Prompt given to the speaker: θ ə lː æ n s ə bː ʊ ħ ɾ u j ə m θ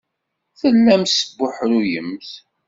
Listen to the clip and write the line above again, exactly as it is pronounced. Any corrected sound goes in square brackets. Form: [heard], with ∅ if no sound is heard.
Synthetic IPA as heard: θ ə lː æ [m] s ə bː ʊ ħ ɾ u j ə m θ